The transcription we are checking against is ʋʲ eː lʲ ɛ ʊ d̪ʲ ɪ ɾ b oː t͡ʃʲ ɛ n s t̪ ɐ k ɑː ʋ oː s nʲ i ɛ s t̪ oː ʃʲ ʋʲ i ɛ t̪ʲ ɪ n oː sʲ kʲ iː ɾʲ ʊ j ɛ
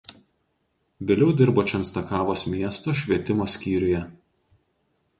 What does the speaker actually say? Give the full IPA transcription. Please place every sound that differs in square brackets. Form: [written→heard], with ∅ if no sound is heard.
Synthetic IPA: ʋʲ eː lʲ ɛ ʊ d̪ʲ ɪ ɾ b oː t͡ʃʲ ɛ n s t̪ ɐ k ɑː ʋ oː s [nʲ→mʲ] i ɛ s t̪ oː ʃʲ ʋʲ i ɛ t̪ʲ ɪ [n→m] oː sʲ kʲ iː ɾʲ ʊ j ɛ